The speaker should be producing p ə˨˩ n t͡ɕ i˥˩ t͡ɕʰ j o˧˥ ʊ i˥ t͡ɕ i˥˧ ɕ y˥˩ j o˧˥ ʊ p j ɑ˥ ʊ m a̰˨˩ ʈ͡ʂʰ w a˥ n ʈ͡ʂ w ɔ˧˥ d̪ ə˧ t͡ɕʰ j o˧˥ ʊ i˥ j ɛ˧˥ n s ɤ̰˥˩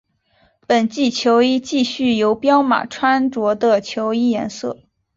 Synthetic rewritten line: p ə˨˩ n t͡ɕ i˥˩ t͡ɕʰ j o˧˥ ʊ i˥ t͡ɕ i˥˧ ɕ y˥˩ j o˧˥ ʊ p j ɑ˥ ʊ m a̰˨˩ ʈ͡ʂʰ w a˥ n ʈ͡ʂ w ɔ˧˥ d̪ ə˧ t͡ɕʰ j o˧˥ ʊ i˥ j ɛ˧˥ n s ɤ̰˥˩